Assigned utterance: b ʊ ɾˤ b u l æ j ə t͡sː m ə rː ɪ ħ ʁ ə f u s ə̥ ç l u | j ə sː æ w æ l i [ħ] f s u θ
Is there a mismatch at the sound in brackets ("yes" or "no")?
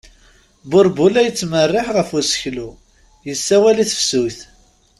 yes